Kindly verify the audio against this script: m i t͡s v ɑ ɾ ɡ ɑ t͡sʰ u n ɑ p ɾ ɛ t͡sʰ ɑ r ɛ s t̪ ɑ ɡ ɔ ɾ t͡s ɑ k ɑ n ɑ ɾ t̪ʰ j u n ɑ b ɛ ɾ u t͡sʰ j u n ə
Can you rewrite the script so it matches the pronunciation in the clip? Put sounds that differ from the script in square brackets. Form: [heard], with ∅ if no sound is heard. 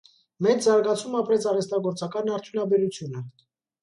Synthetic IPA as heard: m [ɛ] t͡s [z] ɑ ɾ ɡ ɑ t͡sʰ u [m] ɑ p ɾ ɛ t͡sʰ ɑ r ɛ s t̪ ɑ ɡ ɔ ɾ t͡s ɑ k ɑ n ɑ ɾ t̪ʰ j u n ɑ b ɛ ɾ u t͡sʰ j u n ə